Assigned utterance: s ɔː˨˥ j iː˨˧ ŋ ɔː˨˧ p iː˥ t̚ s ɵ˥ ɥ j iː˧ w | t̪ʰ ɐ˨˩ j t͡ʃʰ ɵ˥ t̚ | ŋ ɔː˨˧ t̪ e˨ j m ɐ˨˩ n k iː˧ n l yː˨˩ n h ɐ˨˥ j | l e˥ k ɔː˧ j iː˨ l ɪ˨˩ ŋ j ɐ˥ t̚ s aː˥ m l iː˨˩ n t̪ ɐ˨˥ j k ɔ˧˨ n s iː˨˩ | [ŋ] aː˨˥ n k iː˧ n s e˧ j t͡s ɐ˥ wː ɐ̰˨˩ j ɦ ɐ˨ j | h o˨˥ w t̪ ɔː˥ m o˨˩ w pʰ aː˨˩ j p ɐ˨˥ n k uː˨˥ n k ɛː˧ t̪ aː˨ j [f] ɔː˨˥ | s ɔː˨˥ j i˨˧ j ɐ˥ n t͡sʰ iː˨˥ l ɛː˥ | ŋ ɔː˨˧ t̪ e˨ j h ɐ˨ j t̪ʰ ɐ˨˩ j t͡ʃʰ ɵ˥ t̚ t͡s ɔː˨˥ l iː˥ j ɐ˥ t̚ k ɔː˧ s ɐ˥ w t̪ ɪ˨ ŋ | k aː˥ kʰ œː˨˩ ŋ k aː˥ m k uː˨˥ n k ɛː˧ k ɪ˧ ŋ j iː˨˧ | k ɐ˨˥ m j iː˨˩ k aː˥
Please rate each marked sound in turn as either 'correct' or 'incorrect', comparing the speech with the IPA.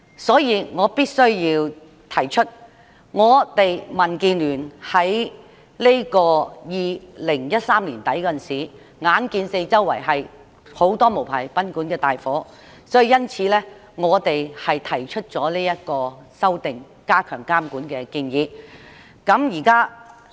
correct, correct

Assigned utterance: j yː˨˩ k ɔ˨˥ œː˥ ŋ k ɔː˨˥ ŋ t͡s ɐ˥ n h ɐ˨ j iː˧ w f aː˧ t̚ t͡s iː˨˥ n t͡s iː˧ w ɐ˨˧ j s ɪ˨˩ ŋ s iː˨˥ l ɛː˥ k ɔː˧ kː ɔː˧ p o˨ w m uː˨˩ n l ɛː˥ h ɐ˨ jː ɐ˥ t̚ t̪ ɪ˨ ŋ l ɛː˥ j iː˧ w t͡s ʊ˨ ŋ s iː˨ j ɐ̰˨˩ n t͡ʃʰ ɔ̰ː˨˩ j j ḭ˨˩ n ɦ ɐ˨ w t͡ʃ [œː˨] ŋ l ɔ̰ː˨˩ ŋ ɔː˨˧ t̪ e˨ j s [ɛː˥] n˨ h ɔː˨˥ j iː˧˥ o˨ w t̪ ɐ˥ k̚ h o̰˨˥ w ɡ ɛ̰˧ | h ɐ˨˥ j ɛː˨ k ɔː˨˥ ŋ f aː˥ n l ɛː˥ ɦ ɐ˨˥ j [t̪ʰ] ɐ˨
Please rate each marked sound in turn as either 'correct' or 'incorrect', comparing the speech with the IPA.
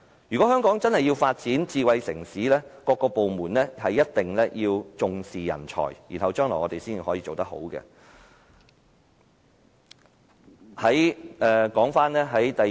incorrect: œː˥, incorrect: iː˥, incorrect: t̪

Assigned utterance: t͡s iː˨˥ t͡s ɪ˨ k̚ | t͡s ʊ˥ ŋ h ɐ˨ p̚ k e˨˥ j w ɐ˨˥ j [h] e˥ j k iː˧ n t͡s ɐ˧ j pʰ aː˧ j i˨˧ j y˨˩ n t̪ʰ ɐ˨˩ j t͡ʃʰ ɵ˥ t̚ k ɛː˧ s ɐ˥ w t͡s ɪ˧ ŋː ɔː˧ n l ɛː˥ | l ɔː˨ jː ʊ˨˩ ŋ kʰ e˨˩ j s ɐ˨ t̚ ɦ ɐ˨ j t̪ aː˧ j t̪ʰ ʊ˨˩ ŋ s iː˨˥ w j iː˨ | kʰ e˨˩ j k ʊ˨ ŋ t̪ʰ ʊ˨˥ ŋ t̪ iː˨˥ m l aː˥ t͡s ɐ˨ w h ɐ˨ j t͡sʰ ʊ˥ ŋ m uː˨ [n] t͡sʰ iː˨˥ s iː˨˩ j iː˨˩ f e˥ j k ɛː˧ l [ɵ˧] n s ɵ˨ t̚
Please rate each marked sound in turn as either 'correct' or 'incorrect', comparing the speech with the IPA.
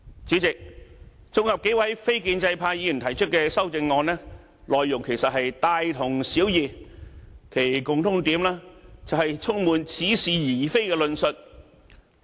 incorrect: f, correct, correct

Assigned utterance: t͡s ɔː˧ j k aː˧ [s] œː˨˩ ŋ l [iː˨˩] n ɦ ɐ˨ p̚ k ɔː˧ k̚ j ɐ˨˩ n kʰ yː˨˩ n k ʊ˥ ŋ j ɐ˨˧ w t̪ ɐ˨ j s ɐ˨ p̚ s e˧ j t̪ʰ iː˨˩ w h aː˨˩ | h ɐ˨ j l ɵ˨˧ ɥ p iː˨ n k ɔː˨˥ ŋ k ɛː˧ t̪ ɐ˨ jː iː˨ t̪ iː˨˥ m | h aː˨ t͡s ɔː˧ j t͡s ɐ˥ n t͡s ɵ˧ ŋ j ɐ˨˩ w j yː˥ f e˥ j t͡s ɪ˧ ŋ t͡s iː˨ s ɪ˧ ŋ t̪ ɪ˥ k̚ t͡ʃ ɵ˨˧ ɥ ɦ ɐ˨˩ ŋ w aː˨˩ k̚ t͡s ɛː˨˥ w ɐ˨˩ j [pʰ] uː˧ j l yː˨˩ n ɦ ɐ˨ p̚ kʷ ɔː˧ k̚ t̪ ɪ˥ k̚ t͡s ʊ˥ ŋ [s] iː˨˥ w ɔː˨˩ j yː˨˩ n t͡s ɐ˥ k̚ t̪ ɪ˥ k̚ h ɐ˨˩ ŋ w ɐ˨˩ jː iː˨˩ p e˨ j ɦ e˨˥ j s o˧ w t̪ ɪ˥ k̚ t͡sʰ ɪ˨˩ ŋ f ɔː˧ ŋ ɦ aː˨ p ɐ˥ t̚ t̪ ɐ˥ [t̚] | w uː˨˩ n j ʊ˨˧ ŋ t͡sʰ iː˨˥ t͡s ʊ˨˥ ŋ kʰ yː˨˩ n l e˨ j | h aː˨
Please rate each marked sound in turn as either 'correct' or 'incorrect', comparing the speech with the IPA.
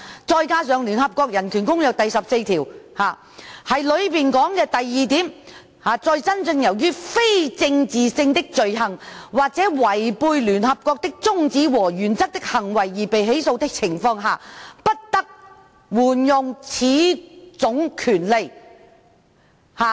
correct, incorrect: yː˨˩, incorrect: p, incorrect: t͡s, incorrect: k̚

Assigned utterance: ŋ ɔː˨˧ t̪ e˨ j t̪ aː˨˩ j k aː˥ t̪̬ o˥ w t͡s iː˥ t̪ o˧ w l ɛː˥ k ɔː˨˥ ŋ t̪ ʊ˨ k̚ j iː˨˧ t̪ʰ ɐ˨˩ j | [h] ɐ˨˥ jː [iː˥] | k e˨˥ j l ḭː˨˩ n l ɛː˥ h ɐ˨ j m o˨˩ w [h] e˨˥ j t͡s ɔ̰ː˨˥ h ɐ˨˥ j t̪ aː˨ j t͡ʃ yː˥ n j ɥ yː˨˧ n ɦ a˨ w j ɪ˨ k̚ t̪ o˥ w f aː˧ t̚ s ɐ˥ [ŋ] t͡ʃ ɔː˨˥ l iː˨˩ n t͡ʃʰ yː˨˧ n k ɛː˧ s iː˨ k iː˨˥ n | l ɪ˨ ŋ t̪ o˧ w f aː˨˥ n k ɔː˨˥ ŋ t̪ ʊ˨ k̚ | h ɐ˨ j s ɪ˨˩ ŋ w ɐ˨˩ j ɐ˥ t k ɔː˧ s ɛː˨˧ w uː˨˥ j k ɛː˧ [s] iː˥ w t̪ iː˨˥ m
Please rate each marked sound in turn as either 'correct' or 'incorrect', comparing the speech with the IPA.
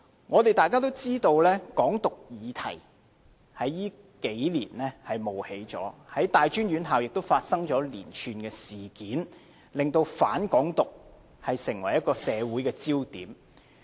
correct, correct, correct, correct, incorrect: t͡s

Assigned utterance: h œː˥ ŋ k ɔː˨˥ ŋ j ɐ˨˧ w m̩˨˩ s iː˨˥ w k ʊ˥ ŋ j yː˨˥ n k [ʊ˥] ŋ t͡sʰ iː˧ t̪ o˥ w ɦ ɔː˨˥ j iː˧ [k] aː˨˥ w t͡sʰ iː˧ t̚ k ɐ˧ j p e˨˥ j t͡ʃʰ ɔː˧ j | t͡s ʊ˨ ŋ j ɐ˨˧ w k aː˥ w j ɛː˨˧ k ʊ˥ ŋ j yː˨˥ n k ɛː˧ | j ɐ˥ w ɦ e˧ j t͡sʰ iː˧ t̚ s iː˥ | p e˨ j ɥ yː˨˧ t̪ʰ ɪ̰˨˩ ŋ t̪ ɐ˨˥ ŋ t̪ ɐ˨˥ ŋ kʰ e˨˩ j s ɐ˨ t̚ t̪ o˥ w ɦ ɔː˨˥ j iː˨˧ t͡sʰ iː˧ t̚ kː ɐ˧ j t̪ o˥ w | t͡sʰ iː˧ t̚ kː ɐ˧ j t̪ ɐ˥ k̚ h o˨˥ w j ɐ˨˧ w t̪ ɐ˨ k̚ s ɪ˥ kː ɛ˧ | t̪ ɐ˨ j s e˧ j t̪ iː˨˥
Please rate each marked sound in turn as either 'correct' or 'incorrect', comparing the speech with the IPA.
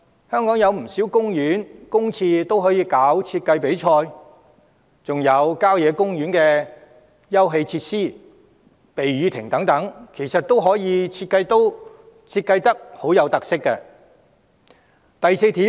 correct, correct

